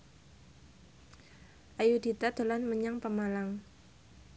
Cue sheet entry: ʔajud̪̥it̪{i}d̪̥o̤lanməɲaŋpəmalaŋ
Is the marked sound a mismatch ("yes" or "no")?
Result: yes